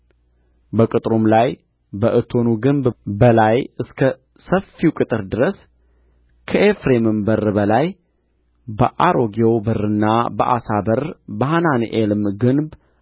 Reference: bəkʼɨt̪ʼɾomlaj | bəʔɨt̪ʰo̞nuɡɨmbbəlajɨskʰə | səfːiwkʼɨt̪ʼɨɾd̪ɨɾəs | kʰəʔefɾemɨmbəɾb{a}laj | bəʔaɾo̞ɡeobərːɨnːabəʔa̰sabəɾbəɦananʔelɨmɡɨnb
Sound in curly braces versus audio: incorrect: ə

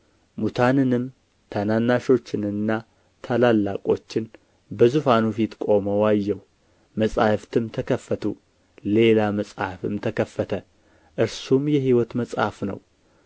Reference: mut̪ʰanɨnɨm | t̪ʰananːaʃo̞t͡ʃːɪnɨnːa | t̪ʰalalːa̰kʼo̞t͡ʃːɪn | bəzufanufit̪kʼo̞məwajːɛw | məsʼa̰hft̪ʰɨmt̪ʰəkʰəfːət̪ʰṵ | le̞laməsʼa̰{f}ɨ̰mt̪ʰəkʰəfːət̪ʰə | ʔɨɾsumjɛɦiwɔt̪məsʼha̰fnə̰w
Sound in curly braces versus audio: correct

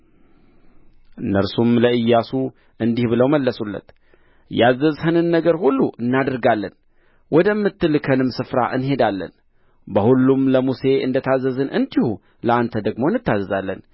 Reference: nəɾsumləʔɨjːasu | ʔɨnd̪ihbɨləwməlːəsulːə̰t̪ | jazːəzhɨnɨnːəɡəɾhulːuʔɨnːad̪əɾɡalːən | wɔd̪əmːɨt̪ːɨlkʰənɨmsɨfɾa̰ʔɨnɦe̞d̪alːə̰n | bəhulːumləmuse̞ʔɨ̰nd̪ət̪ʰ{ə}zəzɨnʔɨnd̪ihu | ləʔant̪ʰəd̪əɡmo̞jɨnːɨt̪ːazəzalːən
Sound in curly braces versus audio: incorrect: a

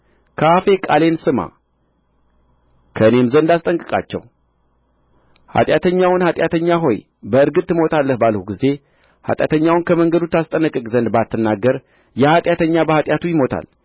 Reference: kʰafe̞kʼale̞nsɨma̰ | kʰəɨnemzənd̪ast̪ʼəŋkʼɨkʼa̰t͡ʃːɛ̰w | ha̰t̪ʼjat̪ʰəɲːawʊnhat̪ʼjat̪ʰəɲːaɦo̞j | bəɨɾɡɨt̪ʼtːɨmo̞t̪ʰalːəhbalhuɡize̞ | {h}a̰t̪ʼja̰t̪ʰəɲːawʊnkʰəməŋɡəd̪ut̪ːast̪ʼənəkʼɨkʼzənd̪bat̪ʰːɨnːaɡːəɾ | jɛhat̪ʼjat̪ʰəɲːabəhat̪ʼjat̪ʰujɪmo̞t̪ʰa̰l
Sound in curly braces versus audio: correct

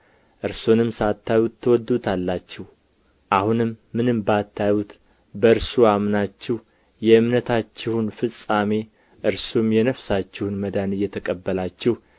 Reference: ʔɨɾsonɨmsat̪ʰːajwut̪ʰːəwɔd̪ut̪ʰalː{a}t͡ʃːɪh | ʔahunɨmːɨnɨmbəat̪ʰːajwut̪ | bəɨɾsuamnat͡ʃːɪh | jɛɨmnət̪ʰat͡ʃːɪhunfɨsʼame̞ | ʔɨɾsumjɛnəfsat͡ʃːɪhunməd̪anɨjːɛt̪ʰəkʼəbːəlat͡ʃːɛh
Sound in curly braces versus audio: correct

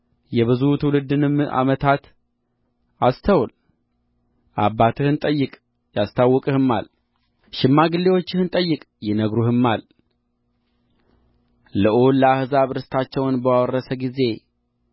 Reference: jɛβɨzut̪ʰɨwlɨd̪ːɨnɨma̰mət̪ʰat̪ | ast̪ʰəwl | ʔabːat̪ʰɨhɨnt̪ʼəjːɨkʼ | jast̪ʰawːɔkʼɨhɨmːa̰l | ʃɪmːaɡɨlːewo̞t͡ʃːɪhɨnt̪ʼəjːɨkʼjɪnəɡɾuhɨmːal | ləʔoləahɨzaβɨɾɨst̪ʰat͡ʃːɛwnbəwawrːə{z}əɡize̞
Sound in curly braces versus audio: incorrect: s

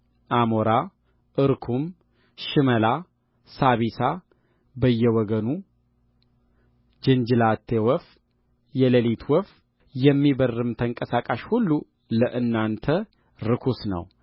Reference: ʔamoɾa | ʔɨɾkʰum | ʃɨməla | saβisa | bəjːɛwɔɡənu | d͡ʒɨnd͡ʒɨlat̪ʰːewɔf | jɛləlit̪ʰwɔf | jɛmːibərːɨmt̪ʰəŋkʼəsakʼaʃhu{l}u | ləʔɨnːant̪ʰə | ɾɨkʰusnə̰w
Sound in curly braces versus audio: incorrect: lː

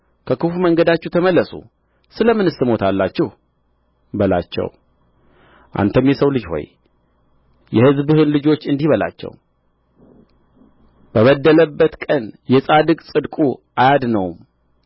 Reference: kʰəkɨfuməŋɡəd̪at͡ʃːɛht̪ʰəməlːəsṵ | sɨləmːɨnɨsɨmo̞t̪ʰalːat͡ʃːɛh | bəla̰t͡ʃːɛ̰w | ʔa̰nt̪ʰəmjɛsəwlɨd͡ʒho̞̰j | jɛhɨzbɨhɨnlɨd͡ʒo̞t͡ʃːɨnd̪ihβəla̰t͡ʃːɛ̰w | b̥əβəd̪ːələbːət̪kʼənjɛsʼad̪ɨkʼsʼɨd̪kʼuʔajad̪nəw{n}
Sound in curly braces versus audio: incorrect: m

